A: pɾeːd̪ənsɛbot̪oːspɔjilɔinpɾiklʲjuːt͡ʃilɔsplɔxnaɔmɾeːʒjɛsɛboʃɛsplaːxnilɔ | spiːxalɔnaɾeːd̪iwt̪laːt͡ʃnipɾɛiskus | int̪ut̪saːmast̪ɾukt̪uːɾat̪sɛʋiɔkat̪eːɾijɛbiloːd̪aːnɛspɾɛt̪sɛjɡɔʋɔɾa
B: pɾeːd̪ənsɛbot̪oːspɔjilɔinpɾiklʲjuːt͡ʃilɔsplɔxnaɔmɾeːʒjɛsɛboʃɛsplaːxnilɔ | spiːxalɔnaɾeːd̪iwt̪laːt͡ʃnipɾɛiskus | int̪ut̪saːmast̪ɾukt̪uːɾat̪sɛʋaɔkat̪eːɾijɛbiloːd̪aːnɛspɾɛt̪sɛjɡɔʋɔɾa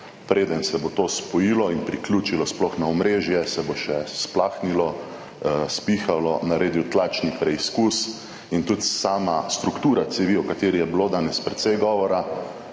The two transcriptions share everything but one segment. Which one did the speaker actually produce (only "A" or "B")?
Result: A